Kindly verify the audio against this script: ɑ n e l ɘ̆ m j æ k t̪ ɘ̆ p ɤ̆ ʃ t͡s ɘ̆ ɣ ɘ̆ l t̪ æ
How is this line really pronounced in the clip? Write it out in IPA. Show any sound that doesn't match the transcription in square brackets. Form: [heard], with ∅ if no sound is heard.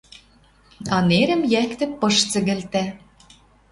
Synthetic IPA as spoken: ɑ n e [ɾ] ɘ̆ m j æ k t̪ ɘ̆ p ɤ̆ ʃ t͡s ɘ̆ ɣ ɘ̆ l t̪ æ